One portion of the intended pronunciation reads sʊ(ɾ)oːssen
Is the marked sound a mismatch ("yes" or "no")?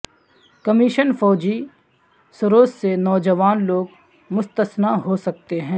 no